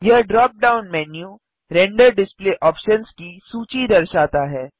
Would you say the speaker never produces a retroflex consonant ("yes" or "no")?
no